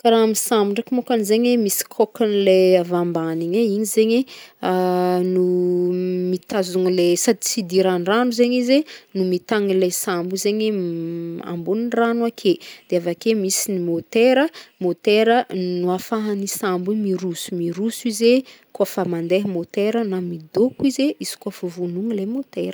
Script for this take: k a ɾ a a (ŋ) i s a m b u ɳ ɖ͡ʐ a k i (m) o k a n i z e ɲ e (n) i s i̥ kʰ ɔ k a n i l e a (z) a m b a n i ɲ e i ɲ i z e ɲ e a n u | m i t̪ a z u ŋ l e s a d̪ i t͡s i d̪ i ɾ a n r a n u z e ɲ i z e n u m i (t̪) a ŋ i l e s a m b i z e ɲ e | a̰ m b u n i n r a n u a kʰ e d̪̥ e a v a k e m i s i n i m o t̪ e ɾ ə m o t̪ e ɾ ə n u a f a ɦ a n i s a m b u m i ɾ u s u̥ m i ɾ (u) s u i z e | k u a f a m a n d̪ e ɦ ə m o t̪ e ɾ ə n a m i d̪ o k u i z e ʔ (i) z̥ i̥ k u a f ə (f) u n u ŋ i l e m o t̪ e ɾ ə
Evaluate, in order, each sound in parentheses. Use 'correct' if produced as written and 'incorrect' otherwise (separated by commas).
incorrect, correct, incorrect, incorrect, correct, correct, correct, incorrect